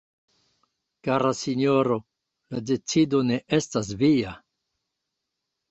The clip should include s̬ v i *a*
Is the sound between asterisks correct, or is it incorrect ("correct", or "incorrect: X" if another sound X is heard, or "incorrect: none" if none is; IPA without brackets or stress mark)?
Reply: correct